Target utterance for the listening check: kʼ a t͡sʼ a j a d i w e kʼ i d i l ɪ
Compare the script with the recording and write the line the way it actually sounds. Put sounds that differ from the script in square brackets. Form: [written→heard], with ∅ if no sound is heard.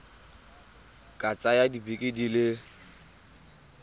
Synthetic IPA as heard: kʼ a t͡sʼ a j a d i [w→b] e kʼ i d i l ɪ